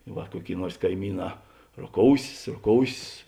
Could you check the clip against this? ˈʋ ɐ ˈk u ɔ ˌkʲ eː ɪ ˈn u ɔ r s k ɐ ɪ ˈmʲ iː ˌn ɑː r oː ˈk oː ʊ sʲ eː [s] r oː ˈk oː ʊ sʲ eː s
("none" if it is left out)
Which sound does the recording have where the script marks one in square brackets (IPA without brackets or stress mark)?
s